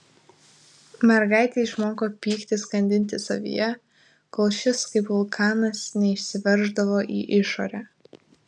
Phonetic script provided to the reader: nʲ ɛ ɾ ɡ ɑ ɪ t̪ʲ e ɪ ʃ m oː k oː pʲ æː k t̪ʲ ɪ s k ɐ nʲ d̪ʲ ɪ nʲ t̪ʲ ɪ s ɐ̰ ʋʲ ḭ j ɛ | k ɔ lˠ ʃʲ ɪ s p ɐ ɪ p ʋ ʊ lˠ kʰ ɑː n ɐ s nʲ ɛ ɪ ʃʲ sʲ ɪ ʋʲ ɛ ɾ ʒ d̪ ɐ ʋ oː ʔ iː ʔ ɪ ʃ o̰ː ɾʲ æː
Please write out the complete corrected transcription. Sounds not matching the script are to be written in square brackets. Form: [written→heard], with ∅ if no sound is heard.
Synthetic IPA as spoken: [nʲ→mʲ] ɛ ɾ ɡ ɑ ɪ t̪ʲ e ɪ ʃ m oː k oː pʲ [æː→iː] k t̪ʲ ɪ s k ɐ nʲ d̪ʲ ɪ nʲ t̪ʲ ɪ s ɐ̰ ʋʲ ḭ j ɛ | k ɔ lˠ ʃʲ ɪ s [p→k] ɐ ɪ p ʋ ʊ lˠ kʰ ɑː n ɐ s nʲ ɛ ɪ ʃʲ sʲ ɪ ʋʲ ɛ ɾ ʒ d̪ ɐ ʋ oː ʔ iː ʔ ɪ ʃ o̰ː ɾʲ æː